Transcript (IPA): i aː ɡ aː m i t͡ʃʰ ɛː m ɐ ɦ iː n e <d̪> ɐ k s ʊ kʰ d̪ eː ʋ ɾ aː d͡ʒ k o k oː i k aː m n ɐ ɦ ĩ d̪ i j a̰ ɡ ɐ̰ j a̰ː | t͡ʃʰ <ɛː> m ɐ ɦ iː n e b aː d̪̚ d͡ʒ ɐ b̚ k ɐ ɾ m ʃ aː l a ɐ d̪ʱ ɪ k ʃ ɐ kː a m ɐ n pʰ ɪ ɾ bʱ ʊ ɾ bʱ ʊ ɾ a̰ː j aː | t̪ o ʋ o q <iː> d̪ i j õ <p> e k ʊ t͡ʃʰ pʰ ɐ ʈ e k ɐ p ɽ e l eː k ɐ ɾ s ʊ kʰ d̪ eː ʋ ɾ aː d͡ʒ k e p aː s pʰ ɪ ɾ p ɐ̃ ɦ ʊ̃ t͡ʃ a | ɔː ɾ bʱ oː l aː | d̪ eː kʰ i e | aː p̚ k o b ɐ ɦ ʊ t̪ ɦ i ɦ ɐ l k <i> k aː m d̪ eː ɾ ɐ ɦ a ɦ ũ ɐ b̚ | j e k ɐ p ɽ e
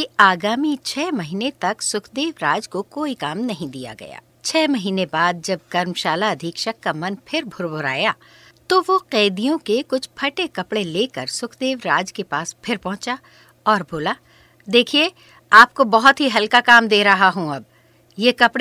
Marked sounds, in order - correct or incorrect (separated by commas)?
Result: incorrect, correct, incorrect, incorrect, incorrect